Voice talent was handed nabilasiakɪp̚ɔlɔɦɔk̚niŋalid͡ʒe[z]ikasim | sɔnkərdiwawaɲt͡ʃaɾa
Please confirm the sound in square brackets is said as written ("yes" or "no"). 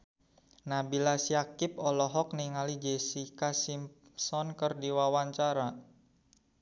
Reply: no